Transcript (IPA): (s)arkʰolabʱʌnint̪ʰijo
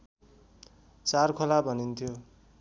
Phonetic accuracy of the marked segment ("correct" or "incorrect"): incorrect